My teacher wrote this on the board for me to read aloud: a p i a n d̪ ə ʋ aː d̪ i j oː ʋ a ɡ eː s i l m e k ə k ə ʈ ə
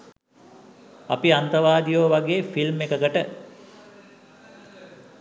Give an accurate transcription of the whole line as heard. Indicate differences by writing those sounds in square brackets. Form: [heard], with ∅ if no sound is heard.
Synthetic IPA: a p i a n [t̪] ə ʋ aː d̪ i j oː ʋ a ɡ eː [f] i l m e k ə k ə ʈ ə